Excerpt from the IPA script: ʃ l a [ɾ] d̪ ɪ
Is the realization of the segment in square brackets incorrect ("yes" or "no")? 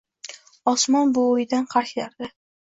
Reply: no